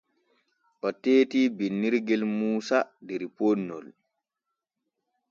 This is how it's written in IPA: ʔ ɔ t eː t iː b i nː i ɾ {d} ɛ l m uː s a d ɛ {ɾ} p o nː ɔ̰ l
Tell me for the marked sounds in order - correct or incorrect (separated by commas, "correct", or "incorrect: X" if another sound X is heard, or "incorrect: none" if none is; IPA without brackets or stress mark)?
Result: incorrect: ɡ, correct